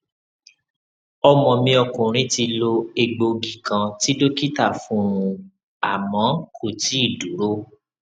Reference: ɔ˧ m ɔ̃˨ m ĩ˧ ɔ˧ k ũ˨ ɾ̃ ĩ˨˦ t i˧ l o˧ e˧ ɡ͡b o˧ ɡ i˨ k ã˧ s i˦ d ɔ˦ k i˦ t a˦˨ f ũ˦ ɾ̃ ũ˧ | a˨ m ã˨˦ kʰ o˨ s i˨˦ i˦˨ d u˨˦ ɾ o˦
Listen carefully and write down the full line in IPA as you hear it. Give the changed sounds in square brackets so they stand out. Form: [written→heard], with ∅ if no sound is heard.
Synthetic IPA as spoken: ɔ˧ m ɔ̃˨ m ĩ˧ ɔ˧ k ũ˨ ɾ̃ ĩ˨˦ t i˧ l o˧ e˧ ɡ͡b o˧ ɡ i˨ k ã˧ [s→t] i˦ d [ɔ˦→o˦] k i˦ t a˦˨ f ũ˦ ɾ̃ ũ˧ | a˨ m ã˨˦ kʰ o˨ [s→t] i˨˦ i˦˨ d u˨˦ ɾ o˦

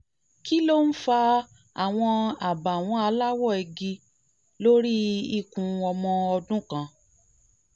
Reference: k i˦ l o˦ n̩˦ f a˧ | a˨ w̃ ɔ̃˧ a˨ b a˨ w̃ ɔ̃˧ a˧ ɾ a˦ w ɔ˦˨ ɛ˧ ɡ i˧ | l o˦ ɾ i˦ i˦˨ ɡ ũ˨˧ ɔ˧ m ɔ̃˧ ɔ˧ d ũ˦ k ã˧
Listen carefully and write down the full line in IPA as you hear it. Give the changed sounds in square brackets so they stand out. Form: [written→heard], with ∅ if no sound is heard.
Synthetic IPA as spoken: k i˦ l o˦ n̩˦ f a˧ | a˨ w̃ ɔ̃˧ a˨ b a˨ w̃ ɔ̃˧ a˧ [ɾ→l] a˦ w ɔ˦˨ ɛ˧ ɡ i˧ | l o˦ ɾ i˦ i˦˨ [ɡ→k] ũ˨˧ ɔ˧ m ɔ̃˧ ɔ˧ d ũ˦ k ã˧

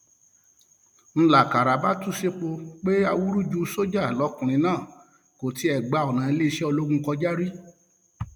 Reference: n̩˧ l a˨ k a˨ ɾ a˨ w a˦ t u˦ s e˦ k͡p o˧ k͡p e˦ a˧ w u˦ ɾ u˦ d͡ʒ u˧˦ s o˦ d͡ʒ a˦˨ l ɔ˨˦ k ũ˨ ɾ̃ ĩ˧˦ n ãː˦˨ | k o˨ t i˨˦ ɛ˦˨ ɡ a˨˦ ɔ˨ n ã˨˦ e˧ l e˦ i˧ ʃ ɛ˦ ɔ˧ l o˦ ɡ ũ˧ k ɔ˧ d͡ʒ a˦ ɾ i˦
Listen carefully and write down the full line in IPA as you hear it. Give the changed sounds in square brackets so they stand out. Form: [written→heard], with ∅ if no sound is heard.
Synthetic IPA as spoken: n̩˧ l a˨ k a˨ ɾ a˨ [w→b] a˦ t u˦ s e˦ k͡p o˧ k͡p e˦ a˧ w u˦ ɾ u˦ d͡ʒ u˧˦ s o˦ d͡ʒ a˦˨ l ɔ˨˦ k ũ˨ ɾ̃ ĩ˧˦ n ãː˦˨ | k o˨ t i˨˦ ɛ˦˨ [ɡ→ɡ͡b] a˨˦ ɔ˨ n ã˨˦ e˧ l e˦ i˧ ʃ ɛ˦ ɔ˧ l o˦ ɡ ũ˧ k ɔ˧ d͡ʒ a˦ ɾ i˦

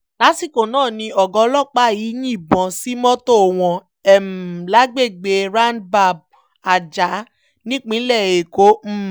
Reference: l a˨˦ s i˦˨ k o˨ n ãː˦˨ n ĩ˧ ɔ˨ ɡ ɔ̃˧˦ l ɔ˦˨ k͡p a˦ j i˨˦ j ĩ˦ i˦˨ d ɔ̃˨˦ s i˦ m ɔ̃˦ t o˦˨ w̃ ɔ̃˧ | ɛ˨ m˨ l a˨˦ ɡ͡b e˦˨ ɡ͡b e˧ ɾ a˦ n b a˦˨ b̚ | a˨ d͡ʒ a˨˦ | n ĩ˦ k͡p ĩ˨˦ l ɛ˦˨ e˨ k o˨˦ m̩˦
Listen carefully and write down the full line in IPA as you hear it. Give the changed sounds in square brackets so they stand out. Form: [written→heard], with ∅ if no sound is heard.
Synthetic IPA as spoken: l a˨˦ s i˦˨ k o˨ n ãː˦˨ n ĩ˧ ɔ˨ ɡ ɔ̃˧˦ l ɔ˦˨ k͡p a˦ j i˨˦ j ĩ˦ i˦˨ [d→b] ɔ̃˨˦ s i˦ m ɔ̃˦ t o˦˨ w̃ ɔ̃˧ | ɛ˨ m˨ l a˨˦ ɡ͡b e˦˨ ɡ͡b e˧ ɾ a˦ n b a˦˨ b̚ | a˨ d͡ʒ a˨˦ | n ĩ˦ k͡p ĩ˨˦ l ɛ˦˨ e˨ k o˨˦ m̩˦

